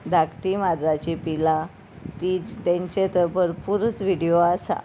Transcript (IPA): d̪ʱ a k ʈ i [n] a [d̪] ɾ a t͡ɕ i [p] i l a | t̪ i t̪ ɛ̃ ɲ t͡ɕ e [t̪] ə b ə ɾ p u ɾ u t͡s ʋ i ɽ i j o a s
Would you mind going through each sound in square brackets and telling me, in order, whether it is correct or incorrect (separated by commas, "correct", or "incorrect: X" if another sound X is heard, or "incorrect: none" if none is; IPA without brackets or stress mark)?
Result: incorrect: m, correct, correct, correct